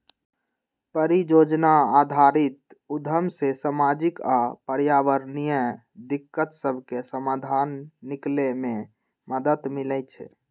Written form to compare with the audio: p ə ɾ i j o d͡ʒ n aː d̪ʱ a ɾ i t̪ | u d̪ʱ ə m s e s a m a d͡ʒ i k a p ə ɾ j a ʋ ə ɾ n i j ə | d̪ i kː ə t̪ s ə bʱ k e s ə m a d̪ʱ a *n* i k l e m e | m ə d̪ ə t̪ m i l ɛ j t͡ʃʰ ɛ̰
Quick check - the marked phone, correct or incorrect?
incorrect